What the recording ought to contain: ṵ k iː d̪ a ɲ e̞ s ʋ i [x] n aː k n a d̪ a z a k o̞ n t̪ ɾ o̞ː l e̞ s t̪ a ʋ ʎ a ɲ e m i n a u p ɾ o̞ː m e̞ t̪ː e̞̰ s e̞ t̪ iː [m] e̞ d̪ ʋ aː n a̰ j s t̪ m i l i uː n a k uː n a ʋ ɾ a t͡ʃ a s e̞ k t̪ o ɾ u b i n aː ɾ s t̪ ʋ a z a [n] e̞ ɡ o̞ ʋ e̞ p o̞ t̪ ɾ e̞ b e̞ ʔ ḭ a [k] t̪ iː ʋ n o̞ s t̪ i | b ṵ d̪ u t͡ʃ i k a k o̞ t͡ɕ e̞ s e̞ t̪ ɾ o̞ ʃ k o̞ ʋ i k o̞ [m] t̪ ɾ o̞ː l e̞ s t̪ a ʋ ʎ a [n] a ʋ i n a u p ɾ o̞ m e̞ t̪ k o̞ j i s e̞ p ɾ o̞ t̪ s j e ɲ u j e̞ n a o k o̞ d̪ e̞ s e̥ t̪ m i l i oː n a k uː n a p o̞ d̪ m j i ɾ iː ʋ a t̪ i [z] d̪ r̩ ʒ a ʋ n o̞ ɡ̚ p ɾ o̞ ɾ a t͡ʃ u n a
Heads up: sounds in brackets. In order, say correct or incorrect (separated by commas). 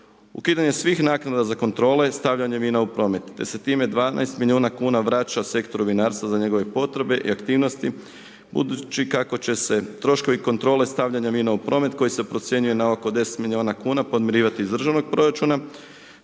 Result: correct, correct, incorrect, correct, incorrect, incorrect, correct